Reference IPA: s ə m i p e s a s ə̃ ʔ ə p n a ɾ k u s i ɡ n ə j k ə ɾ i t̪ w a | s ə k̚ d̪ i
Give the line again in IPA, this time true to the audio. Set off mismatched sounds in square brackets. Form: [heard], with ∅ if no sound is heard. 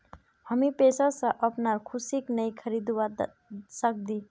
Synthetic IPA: [h] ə m i p e s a s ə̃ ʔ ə p n a ɾ [kʰ] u s i [k] n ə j [kʰ] ə ɾ i [d̪] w a | s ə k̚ d̪ i